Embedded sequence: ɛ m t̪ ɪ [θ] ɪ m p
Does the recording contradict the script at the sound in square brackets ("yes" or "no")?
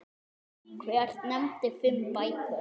yes